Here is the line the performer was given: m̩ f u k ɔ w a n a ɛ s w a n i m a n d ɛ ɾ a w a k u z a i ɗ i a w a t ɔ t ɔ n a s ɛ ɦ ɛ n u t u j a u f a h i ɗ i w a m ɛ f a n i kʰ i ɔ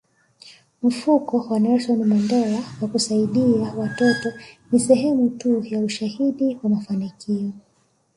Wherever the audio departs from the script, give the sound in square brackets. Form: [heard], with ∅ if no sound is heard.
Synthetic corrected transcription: m̩ f u k ɔ w a n a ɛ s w a n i m a n d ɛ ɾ a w a k u [s] a i ɗ i a w a t ɔ t ɔ n [i] s ɛ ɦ ɛ [m] u t u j a u [ʃ] a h i ɗ i w a m [a] f a n i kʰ i ɔ